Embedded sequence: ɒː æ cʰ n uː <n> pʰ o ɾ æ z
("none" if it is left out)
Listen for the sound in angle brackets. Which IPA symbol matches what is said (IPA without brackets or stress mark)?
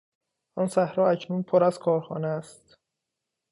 n